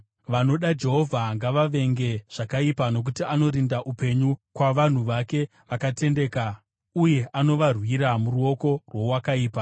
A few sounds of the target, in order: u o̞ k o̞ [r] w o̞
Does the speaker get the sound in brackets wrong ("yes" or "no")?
no